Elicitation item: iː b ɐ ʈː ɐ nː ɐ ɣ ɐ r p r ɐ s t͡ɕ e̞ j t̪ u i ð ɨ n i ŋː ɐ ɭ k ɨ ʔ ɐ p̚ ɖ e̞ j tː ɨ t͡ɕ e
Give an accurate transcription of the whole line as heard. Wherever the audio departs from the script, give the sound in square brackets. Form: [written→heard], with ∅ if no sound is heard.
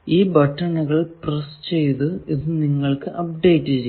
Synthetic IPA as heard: iː b ɐ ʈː ɐ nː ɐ ɣ ɐ [r→ɭ] p r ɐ s t͡ɕ e̞ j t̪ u i ð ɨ n i ŋː ɐ ɭ k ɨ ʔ ɐ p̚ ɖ e̞ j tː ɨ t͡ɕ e